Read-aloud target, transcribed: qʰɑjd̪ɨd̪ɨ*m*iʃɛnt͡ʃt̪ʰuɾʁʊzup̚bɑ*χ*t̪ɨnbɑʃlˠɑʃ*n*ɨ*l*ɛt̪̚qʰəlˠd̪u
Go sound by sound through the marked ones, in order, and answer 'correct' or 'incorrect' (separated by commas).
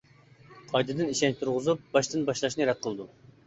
incorrect, incorrect, correct, incorrect